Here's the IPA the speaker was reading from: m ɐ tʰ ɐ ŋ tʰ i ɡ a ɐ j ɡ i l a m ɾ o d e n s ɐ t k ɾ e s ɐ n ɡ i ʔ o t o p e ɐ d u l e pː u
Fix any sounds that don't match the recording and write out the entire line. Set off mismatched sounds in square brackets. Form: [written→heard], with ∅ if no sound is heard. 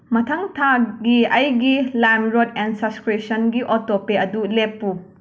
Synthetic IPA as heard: m ɐ tʰ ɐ ŋ tʰ [i→a] ɡ [a→i] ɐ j ɡ i l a m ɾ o d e n s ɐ [t→s] k ɾ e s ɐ n ɡ i ʔ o t o p e ɐ d u l e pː u

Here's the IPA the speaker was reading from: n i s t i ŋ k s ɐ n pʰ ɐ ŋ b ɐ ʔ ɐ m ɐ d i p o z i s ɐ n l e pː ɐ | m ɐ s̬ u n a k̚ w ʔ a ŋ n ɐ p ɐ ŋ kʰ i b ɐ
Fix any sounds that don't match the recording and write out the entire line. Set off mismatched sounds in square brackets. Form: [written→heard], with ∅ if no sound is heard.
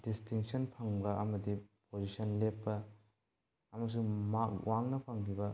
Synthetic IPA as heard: [n→d] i s t i ŋ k s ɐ n pʰ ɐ ŋ b ɐ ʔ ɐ m ɐ d i p o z i s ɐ n l e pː ɐ | m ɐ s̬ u [n→m] a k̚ w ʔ a ŋ n ɐ [p→pʰ] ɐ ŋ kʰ i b ɐ

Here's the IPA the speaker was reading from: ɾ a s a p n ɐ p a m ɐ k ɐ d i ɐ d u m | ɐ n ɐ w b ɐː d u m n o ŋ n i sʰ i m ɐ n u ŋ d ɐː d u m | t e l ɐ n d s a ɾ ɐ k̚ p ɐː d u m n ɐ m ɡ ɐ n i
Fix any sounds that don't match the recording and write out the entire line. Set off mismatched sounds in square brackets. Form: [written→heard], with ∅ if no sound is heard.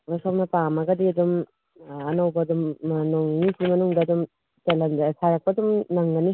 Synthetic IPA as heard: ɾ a s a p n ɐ p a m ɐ [k→ɡ] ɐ d i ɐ d u m | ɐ n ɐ w b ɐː d u m n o ŋ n i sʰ i m ɐ n u ŋ d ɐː d u m | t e l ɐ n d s a ɾ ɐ k̚ p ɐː d u m n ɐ [m→ŋ] ɡ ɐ n i

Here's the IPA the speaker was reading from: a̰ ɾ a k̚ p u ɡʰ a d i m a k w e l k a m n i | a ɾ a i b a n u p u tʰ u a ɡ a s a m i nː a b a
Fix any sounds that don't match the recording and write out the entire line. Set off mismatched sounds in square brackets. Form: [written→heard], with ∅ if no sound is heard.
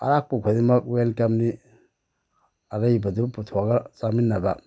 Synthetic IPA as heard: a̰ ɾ a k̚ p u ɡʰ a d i m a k w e l k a m n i | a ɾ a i b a [n→d] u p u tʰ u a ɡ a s a m i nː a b a

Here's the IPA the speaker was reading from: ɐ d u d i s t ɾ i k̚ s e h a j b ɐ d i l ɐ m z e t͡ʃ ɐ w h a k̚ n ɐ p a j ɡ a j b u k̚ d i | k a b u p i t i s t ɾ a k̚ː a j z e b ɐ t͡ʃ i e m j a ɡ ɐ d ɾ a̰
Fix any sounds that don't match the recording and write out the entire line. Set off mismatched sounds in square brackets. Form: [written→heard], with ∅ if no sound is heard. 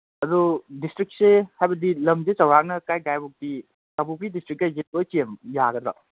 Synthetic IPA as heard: ɐ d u d i s t ɾ i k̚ s e h a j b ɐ d i l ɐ m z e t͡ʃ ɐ w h a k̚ n ɐ [p→k] a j ɡ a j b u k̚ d i | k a b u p i [t→d] i s t ɾ [a→i] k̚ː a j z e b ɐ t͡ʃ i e m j a ɡ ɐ d ɾ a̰

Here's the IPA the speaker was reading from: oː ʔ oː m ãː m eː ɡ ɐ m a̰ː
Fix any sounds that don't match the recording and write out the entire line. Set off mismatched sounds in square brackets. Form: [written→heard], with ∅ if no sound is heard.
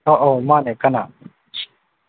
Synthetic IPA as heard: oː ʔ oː m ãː [m→n] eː [ɡ→k] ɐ [m→n] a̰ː

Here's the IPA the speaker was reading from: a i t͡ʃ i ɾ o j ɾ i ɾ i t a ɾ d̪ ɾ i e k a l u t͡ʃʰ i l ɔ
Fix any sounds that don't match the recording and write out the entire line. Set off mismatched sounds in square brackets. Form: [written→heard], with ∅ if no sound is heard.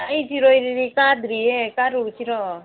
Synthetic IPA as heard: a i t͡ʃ i ɾ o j ɾ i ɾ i [t→k] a [ɾ→∅] d̪ ɾ i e k a [l→ɾ] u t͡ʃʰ i [l→ɾ] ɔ

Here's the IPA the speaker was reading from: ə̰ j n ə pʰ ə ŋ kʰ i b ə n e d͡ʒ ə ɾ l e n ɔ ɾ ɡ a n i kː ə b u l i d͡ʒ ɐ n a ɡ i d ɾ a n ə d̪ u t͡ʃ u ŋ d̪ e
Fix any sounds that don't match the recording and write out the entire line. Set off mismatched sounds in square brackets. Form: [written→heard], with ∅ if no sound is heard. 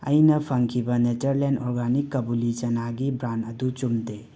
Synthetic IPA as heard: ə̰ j n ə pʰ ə ŋ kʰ i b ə n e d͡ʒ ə ɾ l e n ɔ ɾ ɡ a n i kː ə b u l i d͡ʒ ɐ n a ɡ i [d→b] ɾ a n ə d̪ u t͡ʃ u [ŋ→m] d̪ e

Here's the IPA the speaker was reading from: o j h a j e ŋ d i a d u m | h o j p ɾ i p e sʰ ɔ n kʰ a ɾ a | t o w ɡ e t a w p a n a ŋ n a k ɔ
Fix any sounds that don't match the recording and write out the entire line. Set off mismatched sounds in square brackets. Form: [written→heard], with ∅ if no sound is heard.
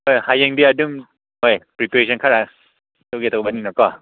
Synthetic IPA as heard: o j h a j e ŋ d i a d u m | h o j p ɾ i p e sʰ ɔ n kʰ a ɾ a | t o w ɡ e t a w [p→b] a n [a→i] ŋ n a k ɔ

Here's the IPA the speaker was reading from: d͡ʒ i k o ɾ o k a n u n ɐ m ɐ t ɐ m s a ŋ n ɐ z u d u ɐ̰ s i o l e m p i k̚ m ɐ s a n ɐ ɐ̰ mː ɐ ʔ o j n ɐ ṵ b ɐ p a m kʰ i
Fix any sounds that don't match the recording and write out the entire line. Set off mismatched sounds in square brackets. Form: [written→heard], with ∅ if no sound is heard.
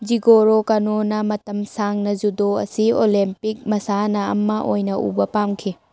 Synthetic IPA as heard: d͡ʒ i [k→ɡ] o ɾ o k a n [u→o] n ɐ m ɐ t ɐ m s a ŋ n ɐ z u d [u→o] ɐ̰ s i o l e m p i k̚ m ɐ s a n ɐ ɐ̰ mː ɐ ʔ o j n ɐ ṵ b ɐ p a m kʰ i

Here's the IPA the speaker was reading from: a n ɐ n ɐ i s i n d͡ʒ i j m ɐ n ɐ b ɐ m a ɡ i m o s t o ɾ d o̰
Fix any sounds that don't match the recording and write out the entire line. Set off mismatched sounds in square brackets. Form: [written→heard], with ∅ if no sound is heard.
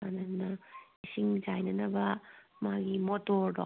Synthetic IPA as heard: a n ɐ n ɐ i s i [n→ŋ] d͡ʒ [i→a] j [m→n] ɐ n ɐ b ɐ m a ɡ i m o [s→∅] t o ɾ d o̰

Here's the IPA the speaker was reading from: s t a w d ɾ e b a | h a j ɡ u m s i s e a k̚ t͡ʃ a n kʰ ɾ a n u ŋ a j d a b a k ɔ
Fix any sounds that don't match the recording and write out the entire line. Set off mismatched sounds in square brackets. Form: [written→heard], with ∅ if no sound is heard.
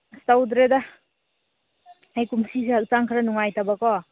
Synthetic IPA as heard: s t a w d ɾ e [b→d] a | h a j [ɡ→k] u m s i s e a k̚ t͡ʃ a [n→ŋ] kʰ ɾ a n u ŋ a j [d→t] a b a k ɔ

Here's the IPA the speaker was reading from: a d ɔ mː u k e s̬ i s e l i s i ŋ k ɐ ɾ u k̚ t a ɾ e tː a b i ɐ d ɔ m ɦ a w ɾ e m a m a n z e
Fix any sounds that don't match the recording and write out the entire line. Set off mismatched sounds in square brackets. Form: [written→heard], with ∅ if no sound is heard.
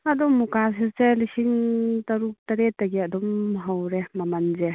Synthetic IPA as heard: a d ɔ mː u k [e→a] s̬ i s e l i s i ŋ [k→t] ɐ ɾ u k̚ t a ɾ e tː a [b→ɡ] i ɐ d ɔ m ɦ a w ɾ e m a m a n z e

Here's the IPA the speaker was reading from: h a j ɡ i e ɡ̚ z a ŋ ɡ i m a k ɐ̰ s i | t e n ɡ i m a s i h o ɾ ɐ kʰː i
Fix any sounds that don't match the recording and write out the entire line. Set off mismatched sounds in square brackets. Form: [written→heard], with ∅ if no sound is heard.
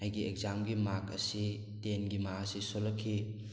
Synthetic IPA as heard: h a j ɡ i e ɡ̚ z a [ŋ→m] ɡ i m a k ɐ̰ s i | t e n ɡ i m a s i [h→s] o [ɾ→l] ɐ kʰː i

